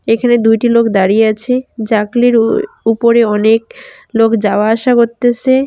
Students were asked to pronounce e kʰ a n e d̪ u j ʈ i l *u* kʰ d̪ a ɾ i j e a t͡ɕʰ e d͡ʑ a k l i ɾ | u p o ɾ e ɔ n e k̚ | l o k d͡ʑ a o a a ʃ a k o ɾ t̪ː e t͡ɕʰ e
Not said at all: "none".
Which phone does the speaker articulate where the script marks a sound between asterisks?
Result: o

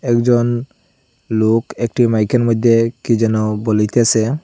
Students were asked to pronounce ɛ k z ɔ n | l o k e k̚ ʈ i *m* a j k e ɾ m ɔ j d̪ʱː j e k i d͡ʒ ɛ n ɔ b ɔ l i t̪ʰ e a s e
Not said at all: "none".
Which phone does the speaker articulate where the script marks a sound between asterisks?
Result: m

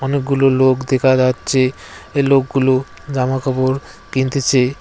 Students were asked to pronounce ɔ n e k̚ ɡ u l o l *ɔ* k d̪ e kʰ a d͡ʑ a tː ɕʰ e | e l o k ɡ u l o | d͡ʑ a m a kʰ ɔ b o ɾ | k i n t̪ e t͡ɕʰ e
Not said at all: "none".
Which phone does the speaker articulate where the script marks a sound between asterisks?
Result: o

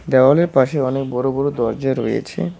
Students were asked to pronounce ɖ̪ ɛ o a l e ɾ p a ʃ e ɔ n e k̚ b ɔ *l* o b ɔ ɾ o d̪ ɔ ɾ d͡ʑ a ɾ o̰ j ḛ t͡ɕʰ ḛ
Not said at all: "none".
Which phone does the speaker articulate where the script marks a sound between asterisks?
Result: ɾ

